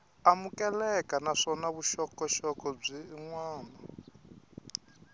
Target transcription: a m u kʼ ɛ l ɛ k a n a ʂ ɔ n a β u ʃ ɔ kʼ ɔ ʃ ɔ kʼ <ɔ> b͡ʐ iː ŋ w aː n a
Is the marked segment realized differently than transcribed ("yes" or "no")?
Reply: no